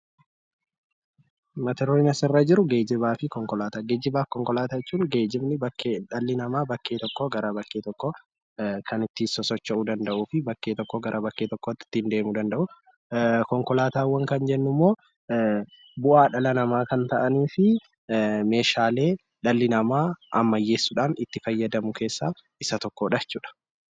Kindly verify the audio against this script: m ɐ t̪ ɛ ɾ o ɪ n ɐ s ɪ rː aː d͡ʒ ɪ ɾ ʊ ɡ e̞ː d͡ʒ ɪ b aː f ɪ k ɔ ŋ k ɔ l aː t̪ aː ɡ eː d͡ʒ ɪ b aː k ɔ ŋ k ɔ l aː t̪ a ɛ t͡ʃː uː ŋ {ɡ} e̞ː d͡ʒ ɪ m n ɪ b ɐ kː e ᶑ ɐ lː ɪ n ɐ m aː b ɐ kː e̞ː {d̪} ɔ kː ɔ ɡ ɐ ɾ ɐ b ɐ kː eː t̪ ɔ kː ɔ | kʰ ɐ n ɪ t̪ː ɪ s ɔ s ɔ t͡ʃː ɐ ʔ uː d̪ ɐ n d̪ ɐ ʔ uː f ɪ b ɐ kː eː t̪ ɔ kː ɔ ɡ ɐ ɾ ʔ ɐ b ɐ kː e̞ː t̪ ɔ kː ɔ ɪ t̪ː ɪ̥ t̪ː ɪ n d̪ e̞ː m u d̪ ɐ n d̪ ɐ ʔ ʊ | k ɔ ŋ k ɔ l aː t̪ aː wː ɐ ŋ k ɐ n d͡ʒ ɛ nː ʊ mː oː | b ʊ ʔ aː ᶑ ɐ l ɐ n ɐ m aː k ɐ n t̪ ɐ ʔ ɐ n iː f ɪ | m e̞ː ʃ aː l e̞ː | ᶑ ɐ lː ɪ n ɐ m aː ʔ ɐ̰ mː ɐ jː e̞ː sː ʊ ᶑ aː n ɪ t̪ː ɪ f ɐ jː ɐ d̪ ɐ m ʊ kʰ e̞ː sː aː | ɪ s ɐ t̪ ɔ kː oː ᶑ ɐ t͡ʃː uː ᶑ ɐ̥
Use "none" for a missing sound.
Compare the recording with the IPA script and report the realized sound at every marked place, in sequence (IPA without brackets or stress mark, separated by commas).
ɡ, t̪